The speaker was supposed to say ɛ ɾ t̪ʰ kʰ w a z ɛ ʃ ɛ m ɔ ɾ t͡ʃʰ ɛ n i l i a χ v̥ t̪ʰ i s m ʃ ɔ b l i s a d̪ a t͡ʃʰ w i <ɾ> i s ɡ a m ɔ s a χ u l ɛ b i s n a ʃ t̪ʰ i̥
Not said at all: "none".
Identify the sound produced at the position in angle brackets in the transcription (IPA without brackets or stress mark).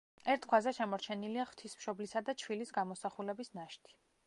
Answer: l